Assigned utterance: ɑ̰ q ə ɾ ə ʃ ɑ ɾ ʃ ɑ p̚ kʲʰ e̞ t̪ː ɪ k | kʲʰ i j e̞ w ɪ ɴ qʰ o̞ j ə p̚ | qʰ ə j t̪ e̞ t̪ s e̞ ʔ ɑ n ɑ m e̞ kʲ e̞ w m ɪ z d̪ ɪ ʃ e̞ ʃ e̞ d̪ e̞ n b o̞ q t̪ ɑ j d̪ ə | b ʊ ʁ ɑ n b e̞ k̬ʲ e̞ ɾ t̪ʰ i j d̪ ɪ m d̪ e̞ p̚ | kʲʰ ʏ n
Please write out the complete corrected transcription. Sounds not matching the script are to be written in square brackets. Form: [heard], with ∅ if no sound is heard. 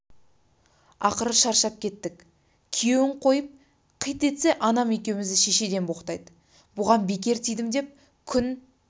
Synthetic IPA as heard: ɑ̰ q ə ɾ ə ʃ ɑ ɾ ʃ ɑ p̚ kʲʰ e̞ t̪ː ɪ k | kʲʰ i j e̞ w ɪ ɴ qʰ o̞ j ə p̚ | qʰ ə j t̪ e̞ t̪ s e̞ ʔ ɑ n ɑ m e̞ kʲ e̞ w m ɪ z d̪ ɪ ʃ e̞ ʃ e̞ d̪ e̞ n b o̞ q t̪ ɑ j d̪ ə | b ʊ ʁ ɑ n b e̞ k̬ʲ e̞ ɾ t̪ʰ i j d̪ ɪ m d̪ e̞ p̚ | kʲʰ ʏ n